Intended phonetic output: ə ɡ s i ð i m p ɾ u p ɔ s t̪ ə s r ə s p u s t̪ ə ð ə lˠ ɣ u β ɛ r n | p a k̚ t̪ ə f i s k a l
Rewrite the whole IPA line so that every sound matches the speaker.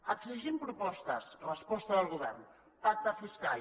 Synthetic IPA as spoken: ə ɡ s i ʒ i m p ɾ u p ɔ s t̪ ə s r ə s p ɔ s t̪ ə ð ə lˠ ɣ u β ɛ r n | p a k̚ t̪ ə f i s k a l